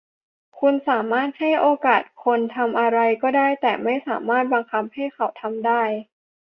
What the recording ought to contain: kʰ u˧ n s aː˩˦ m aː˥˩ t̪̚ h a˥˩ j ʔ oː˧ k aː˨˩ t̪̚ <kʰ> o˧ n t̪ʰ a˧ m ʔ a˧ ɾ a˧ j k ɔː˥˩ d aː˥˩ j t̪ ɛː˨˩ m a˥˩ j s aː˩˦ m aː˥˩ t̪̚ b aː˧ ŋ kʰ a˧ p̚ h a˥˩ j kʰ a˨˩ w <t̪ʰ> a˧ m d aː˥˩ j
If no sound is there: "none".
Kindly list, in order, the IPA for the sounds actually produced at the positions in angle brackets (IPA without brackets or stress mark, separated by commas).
kʰ, t̪ʰ